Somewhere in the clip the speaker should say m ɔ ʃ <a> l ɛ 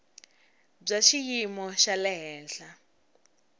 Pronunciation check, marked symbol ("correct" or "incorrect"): correct